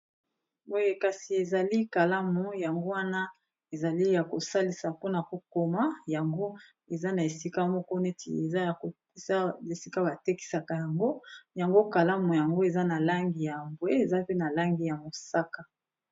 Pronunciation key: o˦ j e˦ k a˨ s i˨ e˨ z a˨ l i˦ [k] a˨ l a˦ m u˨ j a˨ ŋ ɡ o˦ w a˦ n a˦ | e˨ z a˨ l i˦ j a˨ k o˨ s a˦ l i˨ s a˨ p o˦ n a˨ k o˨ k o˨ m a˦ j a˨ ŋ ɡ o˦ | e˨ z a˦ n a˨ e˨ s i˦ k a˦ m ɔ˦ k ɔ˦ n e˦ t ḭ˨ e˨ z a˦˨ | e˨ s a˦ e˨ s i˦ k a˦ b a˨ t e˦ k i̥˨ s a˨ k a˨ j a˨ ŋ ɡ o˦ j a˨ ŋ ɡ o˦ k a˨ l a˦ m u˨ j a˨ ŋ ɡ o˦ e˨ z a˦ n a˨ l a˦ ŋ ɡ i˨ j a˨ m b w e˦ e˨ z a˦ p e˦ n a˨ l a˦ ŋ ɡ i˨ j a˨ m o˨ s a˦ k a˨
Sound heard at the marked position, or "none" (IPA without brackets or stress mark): k